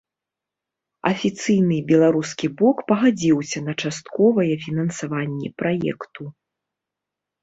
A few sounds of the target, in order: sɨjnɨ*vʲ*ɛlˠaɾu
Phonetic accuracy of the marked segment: incorrect: bʲ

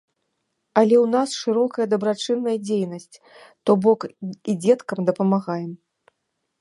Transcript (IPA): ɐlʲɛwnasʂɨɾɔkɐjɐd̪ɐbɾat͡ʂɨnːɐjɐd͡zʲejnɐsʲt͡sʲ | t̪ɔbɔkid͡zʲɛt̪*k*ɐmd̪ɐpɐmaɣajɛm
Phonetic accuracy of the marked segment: correct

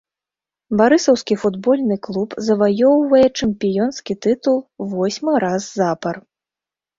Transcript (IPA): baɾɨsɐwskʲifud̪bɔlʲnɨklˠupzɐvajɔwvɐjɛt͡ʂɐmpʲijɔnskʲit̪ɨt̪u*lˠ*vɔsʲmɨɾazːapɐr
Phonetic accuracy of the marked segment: correct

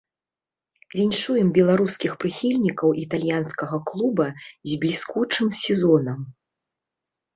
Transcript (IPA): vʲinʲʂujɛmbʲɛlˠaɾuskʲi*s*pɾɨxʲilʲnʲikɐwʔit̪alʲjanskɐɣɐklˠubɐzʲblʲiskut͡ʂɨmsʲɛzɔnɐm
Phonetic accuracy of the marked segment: incorrect: x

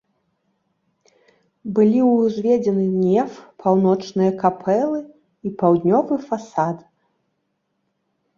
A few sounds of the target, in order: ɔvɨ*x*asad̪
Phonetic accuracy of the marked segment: incorrect: f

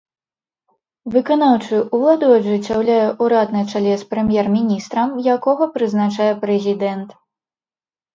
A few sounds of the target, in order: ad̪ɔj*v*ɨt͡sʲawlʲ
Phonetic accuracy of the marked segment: incorrect: ʐ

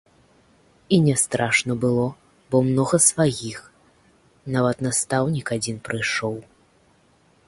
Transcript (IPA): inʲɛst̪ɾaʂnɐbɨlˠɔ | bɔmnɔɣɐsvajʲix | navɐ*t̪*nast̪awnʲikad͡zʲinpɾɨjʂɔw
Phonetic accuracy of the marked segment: correct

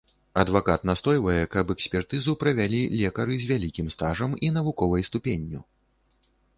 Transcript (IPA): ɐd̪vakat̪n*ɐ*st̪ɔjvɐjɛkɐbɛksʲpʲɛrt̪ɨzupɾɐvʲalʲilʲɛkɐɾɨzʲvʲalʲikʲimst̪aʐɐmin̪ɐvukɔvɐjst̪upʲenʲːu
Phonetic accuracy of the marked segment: incorrect: a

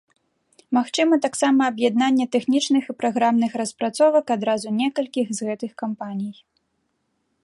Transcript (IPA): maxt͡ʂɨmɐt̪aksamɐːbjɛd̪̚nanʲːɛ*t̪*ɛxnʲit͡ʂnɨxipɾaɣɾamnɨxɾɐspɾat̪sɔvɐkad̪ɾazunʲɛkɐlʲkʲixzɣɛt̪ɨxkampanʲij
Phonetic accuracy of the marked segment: correct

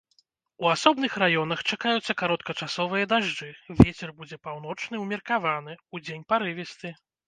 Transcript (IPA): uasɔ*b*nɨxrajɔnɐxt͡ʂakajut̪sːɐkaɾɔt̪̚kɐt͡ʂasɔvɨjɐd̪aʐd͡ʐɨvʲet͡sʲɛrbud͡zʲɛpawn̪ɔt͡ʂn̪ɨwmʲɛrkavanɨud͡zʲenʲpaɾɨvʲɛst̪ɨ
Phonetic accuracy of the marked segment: correct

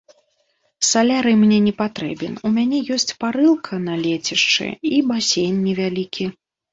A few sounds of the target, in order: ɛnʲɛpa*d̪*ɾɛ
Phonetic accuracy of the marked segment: incorrect: t̪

